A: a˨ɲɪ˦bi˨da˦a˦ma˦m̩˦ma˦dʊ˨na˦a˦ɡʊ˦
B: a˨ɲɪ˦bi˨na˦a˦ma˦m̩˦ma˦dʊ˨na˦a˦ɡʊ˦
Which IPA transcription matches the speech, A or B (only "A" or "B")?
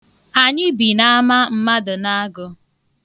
B